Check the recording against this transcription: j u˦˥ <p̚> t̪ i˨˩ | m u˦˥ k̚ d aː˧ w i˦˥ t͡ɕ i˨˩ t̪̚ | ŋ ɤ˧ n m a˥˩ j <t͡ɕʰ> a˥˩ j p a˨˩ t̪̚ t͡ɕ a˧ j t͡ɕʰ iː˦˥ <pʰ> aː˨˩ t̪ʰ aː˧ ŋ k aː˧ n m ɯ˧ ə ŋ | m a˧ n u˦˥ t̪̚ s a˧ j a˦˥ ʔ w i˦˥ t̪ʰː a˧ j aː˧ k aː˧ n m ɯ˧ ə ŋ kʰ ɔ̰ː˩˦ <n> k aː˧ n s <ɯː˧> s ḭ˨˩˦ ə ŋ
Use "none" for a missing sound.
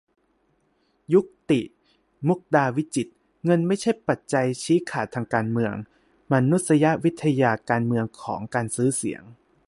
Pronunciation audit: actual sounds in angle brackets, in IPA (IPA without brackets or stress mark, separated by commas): k̚, t͡ɕʰ, kʰ, ŋ, ɯː˦˥